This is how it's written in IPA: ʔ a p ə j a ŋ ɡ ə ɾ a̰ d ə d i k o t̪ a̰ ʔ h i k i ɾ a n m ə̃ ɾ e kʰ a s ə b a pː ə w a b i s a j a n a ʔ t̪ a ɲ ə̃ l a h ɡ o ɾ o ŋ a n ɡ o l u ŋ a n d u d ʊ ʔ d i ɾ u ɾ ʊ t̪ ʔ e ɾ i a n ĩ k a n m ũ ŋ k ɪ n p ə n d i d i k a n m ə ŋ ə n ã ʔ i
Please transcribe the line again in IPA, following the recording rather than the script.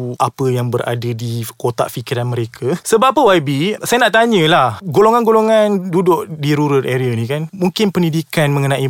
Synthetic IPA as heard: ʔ a p ə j a ŋ b ə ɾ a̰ d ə d i k o t̪ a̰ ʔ f i k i ɾ a n m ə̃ ɾ e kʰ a s ə b a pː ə w a b i s a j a n a ʔ t̪ a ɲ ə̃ l a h ɡ o l o ŋ a n ɡ o l o ŋ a n d u d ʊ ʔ d i ɾ u ɾ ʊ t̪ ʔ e ɾ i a n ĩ k a n m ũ ŋ k ɪ n p ə n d i d i k a n m ə ŋ ə n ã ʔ i